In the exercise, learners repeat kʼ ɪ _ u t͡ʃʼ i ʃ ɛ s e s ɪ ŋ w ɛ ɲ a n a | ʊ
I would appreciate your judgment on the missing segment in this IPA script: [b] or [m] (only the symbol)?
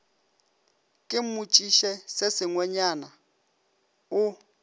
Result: m